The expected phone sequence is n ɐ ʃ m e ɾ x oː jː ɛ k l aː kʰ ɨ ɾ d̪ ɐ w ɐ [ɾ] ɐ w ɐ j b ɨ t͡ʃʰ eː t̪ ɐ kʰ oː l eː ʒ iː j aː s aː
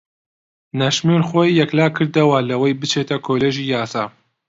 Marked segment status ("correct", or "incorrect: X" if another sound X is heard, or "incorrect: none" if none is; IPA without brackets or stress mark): incorrect: l